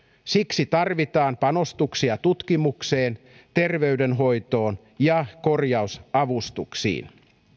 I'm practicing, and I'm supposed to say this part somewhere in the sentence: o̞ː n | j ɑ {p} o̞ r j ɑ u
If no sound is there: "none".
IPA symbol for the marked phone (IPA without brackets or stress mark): k